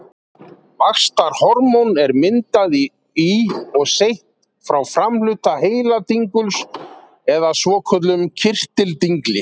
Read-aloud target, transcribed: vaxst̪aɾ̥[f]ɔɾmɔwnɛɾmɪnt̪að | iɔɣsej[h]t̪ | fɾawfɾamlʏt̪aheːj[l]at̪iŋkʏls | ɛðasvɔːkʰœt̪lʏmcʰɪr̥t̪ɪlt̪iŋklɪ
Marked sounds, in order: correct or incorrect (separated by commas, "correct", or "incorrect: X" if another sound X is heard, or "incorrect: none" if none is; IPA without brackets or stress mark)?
incorrect: h, correct, correct